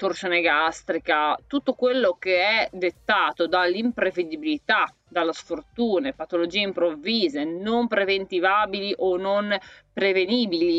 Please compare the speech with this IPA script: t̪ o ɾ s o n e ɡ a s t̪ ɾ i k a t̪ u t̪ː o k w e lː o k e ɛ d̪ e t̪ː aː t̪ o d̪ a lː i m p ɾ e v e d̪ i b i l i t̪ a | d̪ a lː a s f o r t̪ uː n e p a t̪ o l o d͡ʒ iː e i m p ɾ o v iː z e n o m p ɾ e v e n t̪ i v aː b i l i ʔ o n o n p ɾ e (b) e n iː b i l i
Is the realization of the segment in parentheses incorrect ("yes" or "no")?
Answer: yes